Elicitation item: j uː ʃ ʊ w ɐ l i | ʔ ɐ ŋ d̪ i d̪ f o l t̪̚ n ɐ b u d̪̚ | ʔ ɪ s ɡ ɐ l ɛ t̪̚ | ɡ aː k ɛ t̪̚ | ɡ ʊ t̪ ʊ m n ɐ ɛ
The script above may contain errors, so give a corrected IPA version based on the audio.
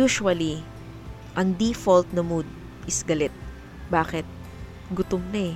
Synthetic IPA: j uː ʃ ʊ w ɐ l i | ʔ ɐ ŋ d̪ i f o l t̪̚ n ɐ m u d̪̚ | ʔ ɪ s ɡ ɐ l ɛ t̪̚ | b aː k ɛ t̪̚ | ɡ ʊ t̪ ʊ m n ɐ ɛ